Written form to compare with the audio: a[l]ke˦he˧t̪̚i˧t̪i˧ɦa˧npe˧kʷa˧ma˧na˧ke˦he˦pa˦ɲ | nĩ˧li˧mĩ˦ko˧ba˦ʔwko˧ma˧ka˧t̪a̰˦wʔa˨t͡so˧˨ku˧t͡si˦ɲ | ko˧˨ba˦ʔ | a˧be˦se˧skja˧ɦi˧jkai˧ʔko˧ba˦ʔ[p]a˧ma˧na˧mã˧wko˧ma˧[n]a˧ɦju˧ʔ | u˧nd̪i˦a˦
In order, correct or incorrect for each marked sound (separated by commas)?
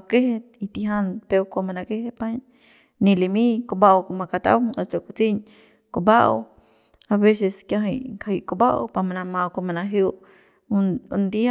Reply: incorrect, correct, correct